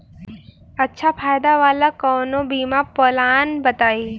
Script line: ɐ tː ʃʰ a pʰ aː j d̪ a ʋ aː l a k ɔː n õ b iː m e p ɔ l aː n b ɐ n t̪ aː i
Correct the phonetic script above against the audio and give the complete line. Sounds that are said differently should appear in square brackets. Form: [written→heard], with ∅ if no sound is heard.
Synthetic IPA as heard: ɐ tː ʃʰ a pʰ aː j d̪ a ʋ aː l a k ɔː n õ b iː m [e→a] p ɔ l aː n b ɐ [n→∅] t̪ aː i